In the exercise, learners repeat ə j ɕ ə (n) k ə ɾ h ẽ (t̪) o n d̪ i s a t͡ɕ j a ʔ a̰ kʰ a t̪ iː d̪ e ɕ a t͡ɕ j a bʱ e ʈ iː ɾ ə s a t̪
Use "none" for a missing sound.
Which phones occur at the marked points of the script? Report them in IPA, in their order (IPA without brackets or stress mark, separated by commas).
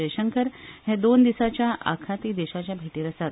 ŋ, d̪